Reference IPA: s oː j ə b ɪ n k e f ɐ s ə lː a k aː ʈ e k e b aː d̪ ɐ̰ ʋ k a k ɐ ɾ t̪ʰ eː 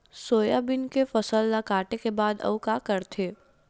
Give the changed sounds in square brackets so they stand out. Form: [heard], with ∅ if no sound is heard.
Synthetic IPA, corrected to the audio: s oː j [a] b ɪ n k e f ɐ s ə lː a k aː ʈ e k e b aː d̪ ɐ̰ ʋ k a k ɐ ɾ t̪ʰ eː